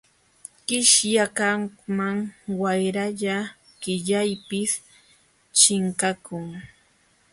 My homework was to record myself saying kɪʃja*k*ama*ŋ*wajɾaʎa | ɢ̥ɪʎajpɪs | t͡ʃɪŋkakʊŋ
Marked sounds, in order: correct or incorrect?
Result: correct, correct

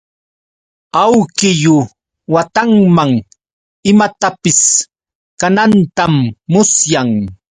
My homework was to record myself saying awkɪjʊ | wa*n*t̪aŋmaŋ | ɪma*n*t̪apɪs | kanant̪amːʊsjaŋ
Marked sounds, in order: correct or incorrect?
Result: incorrect: none, incorrect: none

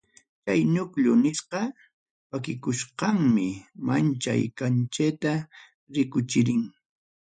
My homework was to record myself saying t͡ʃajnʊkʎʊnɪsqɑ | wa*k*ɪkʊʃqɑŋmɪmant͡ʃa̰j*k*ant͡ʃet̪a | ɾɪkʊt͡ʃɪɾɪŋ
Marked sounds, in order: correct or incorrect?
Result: correct, correct

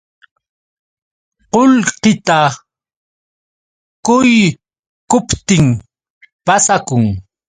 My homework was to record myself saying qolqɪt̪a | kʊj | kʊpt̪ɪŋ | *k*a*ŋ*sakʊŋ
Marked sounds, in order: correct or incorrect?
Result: incorrect: p, incorrect: none

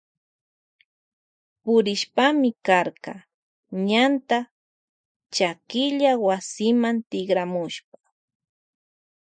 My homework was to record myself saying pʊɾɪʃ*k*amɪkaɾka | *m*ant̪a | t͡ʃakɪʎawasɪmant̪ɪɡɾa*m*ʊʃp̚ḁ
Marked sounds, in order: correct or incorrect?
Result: incorrect: p, incorrect: ɲ, correct

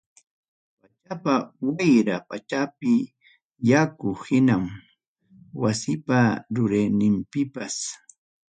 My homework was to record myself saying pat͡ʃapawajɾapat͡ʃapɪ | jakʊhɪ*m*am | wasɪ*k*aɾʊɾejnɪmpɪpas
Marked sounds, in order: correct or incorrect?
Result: incorrect: n, incorrect: p

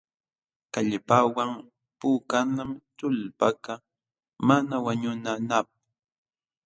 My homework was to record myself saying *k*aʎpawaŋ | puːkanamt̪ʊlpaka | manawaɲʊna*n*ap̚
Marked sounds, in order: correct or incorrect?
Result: correct, correct

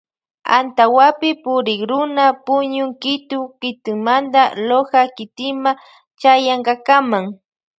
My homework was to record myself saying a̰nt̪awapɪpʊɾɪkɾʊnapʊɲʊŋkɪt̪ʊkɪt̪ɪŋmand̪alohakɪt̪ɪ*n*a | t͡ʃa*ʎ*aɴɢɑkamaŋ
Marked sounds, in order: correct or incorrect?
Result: incorrect: m, incorrect: j

